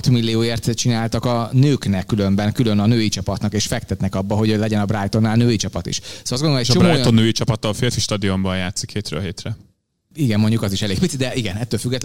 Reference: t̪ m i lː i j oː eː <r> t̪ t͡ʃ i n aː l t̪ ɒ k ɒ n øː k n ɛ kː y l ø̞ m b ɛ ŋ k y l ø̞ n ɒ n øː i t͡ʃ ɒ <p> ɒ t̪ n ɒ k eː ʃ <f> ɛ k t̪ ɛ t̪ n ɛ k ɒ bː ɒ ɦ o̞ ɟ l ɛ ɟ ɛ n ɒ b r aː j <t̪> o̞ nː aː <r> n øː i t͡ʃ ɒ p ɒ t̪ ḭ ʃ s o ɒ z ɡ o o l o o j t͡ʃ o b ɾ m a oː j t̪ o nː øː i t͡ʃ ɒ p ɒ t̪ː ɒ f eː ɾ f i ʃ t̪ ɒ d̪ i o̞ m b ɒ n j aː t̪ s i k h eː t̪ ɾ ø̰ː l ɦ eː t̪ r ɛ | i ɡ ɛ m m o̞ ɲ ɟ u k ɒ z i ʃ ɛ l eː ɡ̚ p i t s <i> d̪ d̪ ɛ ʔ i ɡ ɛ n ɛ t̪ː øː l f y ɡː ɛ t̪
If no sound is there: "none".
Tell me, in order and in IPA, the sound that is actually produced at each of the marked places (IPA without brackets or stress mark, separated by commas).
r, p, f, t̪, l, i